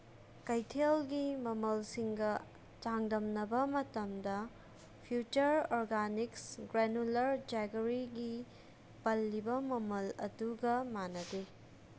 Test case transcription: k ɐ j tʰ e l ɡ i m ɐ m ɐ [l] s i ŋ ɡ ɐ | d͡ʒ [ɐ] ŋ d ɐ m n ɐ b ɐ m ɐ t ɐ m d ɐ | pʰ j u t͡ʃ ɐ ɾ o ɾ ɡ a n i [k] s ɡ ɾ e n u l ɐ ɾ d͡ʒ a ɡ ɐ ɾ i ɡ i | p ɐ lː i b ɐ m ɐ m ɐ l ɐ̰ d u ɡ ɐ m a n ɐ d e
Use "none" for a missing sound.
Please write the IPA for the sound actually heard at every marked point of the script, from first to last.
l, a, k

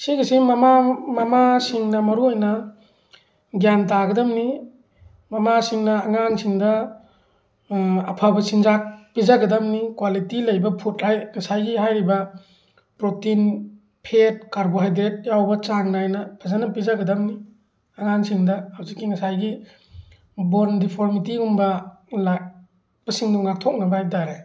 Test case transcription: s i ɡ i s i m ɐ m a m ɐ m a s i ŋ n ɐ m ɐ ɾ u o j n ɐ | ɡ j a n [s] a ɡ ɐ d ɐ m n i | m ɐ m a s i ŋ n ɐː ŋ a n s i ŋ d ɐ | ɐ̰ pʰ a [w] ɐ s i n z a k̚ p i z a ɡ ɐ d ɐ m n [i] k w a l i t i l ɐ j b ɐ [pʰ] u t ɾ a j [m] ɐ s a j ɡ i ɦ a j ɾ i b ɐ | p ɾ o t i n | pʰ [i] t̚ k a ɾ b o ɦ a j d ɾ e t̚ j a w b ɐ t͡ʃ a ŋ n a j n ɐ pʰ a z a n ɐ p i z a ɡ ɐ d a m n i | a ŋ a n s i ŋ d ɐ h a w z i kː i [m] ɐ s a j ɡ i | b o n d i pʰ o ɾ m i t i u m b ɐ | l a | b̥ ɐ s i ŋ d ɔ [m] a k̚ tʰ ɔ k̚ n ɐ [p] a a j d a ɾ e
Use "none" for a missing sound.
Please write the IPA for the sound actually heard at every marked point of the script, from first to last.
t, b, i, pʰ, ŋ, e, ŋ, ŋ, b

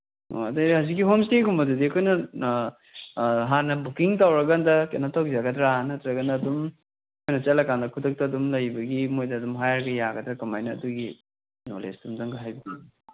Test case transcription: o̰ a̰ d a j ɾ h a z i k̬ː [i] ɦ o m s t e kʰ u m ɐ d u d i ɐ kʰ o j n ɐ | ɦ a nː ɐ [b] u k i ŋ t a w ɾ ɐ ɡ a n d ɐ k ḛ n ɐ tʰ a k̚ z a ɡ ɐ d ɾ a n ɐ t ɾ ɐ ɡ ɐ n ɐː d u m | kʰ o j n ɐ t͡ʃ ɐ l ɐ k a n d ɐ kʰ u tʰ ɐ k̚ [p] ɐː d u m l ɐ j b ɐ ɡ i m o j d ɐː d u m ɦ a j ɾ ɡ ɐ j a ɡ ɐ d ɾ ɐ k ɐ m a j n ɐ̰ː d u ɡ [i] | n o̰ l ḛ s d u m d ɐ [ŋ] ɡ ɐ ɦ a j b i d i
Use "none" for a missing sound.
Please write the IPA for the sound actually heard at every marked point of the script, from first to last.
i, b, t, i, ŋ

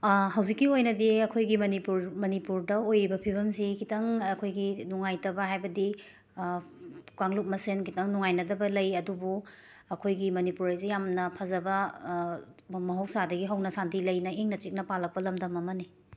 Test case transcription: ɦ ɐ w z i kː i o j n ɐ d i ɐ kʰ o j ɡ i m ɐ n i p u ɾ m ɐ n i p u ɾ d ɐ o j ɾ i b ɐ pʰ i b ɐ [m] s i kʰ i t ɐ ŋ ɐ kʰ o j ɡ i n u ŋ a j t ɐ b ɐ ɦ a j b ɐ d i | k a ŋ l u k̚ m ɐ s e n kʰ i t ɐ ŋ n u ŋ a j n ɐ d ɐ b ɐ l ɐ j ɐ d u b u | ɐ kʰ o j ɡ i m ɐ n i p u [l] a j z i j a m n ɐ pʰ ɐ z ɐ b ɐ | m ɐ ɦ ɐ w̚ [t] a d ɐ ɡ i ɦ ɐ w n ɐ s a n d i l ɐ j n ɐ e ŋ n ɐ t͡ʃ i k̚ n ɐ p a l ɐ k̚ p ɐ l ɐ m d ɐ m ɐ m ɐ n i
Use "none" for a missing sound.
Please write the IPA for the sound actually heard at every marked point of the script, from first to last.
m, ɾ, s

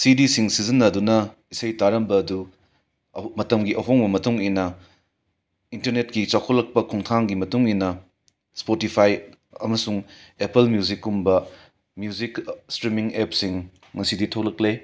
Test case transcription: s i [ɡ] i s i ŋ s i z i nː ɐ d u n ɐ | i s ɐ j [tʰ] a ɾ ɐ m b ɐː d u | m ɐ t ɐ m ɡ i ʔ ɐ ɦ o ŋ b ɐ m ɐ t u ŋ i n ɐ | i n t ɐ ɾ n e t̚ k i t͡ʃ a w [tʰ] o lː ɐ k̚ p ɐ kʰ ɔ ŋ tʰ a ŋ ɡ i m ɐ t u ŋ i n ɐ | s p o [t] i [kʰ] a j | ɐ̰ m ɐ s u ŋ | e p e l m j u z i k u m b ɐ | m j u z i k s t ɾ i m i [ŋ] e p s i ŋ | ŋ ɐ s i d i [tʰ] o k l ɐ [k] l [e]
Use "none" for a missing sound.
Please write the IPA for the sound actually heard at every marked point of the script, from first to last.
d, t, kʰ, t, pʰ, ŋ, tʰ, k, e

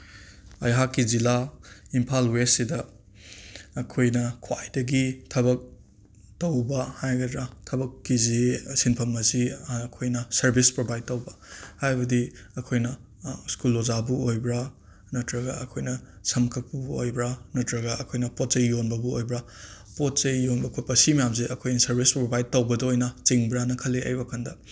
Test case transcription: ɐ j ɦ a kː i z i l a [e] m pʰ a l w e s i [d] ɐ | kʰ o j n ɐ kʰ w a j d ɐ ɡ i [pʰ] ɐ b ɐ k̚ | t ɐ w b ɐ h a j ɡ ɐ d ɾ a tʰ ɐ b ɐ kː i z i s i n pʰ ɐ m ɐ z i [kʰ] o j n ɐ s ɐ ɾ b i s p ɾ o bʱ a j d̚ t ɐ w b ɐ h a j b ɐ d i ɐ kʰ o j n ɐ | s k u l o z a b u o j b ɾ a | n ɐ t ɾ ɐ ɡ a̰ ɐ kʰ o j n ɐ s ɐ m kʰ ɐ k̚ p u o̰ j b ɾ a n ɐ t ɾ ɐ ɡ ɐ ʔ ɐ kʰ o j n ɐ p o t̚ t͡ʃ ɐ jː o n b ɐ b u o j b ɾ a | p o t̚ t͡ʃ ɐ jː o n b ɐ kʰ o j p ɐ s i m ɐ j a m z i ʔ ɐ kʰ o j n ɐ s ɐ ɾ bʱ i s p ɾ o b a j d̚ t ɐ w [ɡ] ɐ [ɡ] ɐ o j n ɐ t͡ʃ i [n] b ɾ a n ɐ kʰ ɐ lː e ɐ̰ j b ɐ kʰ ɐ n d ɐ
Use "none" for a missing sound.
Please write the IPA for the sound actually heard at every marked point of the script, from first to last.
i, d, tʰ, kʰ, b, d, ŋ

